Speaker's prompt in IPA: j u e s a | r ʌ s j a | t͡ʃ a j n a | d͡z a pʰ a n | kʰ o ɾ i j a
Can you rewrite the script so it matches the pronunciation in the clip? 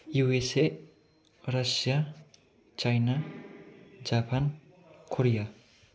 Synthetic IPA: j u e s e | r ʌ s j a | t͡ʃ a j n a | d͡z a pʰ a n | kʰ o ɾ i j a